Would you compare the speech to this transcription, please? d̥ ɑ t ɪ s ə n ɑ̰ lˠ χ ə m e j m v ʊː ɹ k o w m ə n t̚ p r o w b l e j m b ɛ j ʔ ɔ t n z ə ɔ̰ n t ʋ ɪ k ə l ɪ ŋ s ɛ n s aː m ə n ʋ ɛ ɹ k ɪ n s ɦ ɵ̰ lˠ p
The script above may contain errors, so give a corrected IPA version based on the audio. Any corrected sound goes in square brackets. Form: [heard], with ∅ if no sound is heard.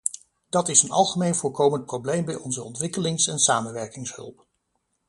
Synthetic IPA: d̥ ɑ t ɪ s ə n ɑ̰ lˠ χ ə m e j [n] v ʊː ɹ k o w m ə n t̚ p r o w b l e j m b ɛ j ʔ ɔ [∅] n z ə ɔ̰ n t ʋ ɪ k ə l ɪ ŋ s ɛ n s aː m ə n ʋ ɛ ɹ k ɪ [ŋ] s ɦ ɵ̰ lˠ p